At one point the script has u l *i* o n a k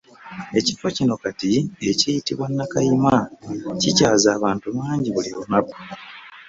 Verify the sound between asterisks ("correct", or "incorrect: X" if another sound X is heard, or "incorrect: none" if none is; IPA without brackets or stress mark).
correct